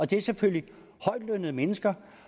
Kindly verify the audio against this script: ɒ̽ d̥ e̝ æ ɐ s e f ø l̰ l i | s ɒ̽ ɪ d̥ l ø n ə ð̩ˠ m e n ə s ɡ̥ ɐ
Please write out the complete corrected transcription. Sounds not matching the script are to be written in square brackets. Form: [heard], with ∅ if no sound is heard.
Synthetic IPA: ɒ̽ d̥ e̝ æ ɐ s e f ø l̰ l i | [h] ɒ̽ ɪ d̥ l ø n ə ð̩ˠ m e n ə s ɡ̥ ɐ